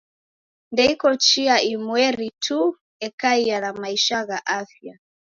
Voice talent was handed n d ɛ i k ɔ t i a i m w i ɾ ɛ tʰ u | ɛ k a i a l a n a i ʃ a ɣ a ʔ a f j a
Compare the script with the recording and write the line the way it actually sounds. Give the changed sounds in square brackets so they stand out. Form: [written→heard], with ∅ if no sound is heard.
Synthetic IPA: n d ɛ i k ɔ [t→t͡ʃ] i a i m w [i→ɛ] ɾ [ɛ→i] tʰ u | ɛ k a i a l a [n→m] a i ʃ a ɣ a ʔ a f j a